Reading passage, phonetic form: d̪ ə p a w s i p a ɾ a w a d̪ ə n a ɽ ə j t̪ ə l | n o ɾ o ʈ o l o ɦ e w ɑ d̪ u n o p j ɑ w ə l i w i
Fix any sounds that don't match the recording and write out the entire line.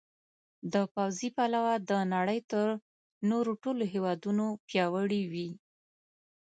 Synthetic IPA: d̪ ə p a w z i p a l a w a d̪ ə n a ɽ ə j t̪ ə ɾ | n o ɾ o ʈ o l o ɦ e w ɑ d̪ u n o p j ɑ w ə ɽ i w i